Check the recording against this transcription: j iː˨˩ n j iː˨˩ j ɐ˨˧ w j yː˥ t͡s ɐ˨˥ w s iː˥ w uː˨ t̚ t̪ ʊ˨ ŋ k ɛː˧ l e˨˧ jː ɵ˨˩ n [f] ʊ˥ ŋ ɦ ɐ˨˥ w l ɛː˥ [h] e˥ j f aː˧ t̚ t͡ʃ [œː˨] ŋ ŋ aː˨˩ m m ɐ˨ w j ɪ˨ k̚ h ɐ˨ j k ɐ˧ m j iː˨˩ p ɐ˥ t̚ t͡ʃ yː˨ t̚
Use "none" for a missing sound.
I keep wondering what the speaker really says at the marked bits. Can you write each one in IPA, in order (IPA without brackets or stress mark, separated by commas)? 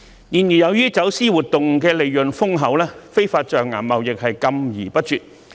f, f, œː˨